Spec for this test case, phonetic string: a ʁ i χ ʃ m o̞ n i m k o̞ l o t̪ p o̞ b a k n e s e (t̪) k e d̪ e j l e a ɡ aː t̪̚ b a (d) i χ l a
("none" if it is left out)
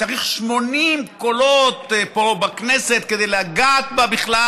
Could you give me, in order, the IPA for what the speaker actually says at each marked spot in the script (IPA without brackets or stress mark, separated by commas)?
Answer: t̪, b